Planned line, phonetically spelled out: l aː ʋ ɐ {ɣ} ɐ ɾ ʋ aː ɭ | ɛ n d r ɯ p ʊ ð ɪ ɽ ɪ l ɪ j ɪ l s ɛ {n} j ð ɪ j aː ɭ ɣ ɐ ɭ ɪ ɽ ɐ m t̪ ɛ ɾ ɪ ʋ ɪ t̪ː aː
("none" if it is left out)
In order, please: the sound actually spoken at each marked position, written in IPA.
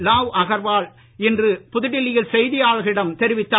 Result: ɣ, none

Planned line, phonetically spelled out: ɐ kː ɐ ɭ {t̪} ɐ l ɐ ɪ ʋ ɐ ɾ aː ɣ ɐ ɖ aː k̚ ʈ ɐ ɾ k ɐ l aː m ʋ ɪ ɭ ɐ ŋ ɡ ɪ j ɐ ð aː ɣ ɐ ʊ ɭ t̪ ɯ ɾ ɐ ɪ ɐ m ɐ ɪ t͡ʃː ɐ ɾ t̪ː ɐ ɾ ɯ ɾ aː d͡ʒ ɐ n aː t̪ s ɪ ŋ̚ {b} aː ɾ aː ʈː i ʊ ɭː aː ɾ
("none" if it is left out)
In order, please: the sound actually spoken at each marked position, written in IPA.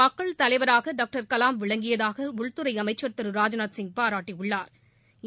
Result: t̪, p

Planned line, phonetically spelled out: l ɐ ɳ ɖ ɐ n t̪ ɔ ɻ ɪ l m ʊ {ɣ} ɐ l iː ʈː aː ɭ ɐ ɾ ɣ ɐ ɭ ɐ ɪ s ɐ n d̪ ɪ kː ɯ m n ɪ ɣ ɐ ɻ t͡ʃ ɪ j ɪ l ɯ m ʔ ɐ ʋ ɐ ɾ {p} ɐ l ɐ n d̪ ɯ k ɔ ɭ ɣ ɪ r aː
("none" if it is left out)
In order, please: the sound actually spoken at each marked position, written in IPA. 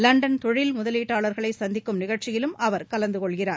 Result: ð, k

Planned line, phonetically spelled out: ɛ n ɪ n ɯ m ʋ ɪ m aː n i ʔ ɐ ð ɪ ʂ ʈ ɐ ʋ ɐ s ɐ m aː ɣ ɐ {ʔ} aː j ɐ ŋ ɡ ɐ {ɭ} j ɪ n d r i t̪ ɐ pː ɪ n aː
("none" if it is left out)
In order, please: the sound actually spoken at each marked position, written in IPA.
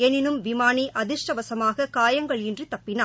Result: k, ɭ

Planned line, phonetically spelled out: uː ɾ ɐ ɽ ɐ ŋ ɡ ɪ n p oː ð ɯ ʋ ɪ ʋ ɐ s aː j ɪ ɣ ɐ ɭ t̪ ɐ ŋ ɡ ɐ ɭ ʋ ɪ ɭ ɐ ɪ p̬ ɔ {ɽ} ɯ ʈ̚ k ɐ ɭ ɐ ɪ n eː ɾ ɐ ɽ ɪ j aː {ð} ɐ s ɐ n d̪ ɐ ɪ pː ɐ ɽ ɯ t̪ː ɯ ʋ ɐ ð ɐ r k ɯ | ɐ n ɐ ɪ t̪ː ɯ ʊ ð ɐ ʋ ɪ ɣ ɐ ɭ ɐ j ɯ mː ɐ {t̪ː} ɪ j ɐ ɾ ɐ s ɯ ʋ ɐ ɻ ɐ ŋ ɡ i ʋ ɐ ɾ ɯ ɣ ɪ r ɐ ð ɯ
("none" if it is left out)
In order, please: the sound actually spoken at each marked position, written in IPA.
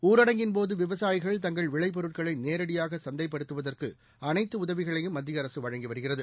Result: ɾ, ɣ, d̪ː

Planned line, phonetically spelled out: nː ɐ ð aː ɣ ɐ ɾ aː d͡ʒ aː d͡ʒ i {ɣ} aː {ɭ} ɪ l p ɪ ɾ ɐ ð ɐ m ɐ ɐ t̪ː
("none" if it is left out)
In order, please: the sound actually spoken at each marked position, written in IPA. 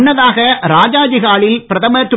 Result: ɣ, ɭ

